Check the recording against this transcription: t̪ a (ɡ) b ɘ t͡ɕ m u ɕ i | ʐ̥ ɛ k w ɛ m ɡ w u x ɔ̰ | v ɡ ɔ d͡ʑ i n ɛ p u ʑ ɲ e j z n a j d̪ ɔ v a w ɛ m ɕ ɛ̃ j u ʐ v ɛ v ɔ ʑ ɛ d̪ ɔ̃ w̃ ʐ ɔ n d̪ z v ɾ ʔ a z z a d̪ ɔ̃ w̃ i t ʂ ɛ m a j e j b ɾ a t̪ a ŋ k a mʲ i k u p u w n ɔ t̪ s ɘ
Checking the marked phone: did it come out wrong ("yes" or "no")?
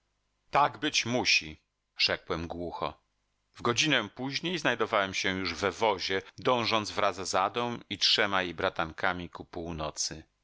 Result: no